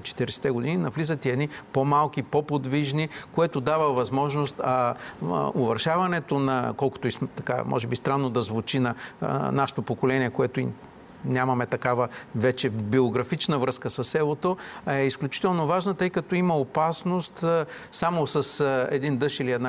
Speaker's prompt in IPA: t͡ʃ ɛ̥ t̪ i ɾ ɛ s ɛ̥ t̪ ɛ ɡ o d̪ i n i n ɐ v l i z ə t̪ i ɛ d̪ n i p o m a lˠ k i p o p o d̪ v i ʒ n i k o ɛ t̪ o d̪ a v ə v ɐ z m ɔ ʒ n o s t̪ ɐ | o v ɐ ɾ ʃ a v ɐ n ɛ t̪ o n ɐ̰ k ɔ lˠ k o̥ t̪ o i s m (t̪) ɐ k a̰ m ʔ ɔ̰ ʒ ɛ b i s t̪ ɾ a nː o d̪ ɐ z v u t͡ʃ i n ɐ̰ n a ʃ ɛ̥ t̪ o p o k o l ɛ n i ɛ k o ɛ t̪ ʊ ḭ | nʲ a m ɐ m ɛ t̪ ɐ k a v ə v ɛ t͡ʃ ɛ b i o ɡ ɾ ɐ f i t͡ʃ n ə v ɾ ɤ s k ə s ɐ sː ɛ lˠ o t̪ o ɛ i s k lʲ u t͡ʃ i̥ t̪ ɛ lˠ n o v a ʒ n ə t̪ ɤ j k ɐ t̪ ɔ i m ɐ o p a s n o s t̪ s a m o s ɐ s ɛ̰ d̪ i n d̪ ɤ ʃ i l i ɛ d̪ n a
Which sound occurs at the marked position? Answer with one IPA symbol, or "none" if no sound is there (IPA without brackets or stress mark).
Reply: t̪